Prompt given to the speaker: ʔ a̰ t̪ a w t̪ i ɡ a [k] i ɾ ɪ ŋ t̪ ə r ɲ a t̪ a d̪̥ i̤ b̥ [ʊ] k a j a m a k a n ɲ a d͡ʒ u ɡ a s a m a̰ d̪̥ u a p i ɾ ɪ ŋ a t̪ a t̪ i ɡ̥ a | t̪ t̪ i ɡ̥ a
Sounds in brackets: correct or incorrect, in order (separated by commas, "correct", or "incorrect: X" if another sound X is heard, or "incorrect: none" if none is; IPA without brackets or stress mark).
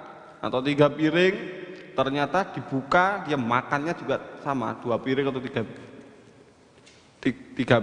incorrect: p, incorrect: u